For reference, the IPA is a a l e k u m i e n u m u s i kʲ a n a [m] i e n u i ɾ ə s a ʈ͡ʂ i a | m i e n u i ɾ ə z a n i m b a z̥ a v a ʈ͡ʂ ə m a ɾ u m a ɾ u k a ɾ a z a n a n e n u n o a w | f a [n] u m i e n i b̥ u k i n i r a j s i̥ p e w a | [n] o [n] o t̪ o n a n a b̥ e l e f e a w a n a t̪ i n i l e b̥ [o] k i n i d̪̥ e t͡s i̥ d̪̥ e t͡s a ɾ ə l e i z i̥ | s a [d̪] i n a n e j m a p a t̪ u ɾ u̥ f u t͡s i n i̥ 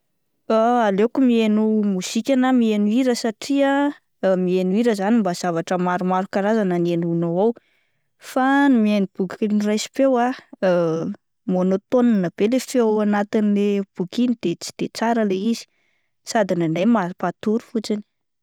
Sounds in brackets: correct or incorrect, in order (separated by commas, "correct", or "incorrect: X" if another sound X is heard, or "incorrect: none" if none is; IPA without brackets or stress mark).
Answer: correct, correct, incorrect: m, correct, incorrect: u, correct